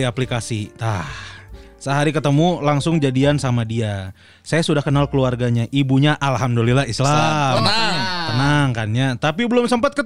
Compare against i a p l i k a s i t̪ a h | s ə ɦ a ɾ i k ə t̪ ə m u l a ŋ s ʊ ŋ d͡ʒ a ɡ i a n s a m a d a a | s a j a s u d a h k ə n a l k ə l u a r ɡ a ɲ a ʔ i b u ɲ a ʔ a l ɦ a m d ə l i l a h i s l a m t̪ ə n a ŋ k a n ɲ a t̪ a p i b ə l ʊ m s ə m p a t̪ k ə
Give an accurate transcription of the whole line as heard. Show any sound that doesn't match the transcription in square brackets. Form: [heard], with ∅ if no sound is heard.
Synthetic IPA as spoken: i a p l i k a s i t̪ a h | s ə ɦ a ɾ i k ə t̪ ə m u l a ŋ s ʊ ŋ d͡ʒ a [d] i a n s a m a d [i] a | s a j a s u d a h k ə n a l k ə l u a r ɡ a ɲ a ʔ i b u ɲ a ʔ a l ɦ a m d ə l i l a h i s l a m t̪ ə n a ŋ k a n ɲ a t̪ a p i b ə l ʊ m s ə m p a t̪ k ə